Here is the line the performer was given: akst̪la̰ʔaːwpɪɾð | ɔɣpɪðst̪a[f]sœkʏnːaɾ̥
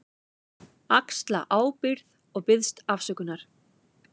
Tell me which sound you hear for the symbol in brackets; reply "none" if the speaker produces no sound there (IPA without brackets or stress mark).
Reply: f